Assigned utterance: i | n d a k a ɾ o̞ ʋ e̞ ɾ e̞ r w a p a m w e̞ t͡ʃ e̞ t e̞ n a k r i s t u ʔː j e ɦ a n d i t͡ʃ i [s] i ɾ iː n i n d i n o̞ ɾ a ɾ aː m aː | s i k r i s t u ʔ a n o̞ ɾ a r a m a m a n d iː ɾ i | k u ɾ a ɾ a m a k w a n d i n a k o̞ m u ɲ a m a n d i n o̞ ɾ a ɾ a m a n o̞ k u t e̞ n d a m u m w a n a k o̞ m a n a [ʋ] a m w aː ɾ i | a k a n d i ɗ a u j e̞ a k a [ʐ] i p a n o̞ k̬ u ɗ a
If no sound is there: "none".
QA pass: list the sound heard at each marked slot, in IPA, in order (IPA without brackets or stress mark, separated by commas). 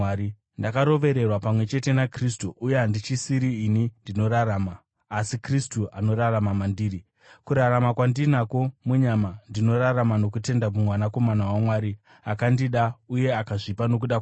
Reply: s, w, ʐ